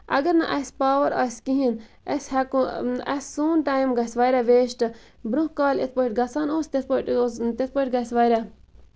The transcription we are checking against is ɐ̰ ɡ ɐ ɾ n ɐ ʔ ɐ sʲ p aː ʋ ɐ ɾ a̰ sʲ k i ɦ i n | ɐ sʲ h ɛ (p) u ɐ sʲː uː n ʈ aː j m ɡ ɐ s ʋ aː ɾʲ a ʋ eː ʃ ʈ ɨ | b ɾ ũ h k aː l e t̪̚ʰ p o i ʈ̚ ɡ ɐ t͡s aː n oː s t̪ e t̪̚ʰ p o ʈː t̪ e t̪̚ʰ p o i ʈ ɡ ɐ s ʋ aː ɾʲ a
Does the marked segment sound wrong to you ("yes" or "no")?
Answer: yes